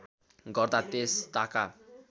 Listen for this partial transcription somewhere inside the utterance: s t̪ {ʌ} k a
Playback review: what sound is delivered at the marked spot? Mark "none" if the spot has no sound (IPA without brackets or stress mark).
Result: a